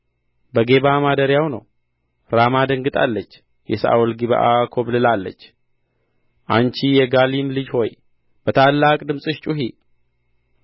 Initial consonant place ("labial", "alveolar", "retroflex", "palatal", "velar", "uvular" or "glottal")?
labial